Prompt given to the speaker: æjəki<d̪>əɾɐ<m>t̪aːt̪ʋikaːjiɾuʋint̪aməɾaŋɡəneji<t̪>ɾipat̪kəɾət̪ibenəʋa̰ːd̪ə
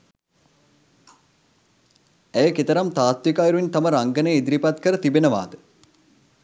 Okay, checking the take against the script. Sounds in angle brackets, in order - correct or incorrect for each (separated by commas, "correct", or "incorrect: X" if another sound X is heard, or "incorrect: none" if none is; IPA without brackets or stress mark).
incorrect: t̪, correct, incorrect: d̪